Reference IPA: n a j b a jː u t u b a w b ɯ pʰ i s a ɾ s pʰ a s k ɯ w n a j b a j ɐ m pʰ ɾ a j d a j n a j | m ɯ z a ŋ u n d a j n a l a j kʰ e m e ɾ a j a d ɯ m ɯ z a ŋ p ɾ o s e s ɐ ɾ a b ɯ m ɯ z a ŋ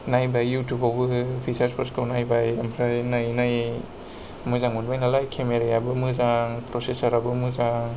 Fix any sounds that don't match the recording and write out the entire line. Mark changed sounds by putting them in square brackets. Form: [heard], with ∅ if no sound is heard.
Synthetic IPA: n a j b a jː u t u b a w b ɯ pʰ i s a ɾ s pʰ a s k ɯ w n a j b a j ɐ m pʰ ɾ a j [n] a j n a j | m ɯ z a ŋ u n [b] a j n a l a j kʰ e m e ɾ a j a [b] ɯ m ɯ z a ŋ p ɾ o s e s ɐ ɾ a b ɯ m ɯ z a ŋ